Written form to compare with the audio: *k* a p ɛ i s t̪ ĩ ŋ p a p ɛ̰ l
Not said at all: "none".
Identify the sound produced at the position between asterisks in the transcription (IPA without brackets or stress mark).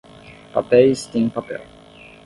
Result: p